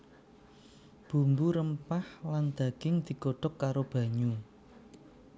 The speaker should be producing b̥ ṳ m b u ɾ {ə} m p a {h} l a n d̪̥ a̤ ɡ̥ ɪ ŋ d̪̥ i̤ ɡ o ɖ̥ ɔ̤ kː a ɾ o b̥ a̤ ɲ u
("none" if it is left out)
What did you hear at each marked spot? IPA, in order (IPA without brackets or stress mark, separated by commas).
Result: ə, h